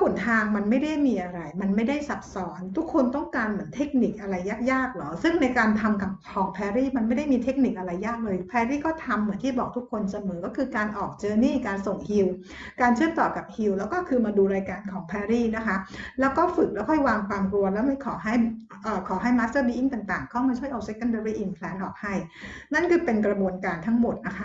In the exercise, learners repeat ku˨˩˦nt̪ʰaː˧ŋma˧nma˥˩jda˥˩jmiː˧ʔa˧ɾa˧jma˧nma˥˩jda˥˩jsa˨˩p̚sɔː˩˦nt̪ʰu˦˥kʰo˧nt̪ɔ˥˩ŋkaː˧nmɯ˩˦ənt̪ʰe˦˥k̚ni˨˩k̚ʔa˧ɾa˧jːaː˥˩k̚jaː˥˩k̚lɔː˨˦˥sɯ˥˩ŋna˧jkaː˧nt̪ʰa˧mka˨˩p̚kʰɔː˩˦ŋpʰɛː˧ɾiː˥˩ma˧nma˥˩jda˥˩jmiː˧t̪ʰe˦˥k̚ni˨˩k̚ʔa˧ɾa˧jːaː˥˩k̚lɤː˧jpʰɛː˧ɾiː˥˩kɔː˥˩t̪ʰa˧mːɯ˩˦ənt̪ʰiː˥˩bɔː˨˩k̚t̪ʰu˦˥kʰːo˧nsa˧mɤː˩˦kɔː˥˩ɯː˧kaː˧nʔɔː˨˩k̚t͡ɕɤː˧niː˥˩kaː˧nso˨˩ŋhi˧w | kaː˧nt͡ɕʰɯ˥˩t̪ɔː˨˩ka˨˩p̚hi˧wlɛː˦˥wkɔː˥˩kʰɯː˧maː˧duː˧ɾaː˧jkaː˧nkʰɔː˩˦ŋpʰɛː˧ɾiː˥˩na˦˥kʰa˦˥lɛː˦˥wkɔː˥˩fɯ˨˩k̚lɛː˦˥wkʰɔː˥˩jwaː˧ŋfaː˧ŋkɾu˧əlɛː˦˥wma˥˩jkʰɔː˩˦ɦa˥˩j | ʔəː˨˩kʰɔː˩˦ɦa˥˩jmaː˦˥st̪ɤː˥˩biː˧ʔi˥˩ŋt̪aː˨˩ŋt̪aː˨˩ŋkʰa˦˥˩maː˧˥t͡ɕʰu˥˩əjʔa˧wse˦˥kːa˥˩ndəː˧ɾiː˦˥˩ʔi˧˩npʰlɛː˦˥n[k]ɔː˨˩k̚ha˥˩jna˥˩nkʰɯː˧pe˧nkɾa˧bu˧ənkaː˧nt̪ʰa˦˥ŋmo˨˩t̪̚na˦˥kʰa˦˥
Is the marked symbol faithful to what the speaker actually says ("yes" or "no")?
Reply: no